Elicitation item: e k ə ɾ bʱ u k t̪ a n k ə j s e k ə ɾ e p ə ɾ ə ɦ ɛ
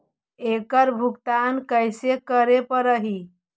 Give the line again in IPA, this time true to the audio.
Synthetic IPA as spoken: e k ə ɾ bʱ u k t̪ a n k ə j s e k ə ɾ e p ə ɾ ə ɦ i